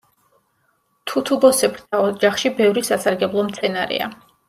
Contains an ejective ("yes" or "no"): no